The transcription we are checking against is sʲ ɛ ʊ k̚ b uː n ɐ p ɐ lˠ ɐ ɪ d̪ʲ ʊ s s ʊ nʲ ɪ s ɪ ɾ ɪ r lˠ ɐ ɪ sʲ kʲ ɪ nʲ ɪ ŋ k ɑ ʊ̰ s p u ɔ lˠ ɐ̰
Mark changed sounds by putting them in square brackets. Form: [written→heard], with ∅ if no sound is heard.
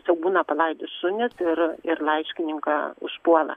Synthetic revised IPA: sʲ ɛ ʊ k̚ b uː n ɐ p ɐ lˠ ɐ ɪ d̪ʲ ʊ s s ʊ nʲ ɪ s ɪ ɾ ɪ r lˠ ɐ ɪ [sʲ→ʃʲ] kʲ ɪ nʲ ɪ ŋ k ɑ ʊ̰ [s→ʃ] p u ɔ lˠ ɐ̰